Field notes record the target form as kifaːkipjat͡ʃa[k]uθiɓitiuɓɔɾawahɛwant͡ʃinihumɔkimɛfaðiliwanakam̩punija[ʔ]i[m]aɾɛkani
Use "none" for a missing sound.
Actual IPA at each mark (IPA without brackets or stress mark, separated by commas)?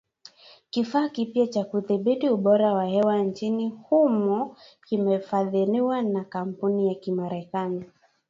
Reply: k, k, m